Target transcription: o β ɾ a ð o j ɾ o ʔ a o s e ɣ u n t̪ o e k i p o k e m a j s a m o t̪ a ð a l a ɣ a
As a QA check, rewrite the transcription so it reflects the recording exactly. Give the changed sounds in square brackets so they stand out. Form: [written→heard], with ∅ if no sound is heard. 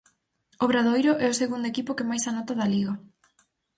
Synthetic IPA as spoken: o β ɾ a ð o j ɾ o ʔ [a→ɛ] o s e ɣ u n [t̪→d̪] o e k i p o k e m a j s a [m→n] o t̪ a ð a l [a→i] ɣ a